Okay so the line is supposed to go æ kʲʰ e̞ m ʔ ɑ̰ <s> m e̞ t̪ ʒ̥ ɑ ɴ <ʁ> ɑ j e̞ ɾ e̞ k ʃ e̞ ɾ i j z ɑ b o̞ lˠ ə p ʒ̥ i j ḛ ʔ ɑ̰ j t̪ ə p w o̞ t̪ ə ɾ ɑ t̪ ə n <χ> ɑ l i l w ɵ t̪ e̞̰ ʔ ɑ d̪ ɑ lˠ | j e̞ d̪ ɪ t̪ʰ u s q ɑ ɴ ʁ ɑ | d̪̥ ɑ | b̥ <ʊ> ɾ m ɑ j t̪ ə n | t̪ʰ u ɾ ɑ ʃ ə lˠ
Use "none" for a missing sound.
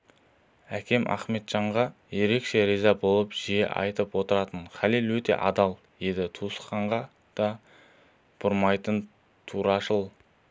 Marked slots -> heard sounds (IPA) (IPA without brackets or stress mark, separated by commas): χ, ʁ, χ, ʊ